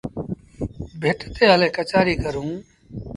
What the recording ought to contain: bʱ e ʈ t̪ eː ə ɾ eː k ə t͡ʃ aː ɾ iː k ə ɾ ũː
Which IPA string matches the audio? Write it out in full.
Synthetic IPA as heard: bʱ e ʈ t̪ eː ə l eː k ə t͡ʃ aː ɾ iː k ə ɾ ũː

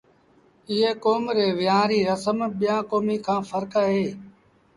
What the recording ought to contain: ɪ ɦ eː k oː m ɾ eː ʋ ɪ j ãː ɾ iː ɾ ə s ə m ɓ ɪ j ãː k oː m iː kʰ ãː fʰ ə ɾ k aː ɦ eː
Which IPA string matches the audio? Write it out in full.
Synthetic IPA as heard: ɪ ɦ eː k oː m ɾ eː ʋ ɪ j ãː ɾ iː ɾ ə s ə m ɓ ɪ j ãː k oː m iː kʰ ãː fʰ ə ɾ k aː ɦ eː

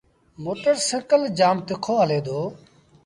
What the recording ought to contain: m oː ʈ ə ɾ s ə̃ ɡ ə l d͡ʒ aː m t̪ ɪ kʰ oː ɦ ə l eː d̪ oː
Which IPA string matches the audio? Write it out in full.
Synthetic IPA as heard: m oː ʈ ə ɾ s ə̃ k ə l d͡ʒ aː m t̪ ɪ kʰ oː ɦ ə l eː d̪ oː

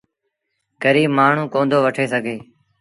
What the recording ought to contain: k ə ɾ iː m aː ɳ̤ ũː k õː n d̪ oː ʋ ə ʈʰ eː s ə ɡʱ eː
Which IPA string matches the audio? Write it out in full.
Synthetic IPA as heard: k ə ɾ iː m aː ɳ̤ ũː k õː n d̪ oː ʋ ə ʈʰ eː s ə ɡʱ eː

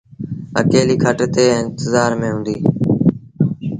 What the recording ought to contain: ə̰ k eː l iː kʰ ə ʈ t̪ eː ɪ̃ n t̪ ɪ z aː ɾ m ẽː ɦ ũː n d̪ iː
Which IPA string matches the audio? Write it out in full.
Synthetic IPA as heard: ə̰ k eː l iː kʰ ə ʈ t̪ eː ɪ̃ n t̪ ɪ z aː ɾ m ẽː ɦ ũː n d̪ iː

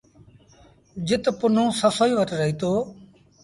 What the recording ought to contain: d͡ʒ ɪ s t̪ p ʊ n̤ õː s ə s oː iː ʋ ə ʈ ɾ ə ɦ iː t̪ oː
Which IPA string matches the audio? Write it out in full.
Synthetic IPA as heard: d͡ʒ ɪ t̪ p ʊ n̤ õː s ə s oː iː ʋ ə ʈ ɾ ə ɦ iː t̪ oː

